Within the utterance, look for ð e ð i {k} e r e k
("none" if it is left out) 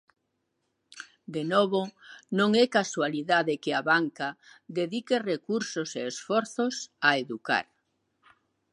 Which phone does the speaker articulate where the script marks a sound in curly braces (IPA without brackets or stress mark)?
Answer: k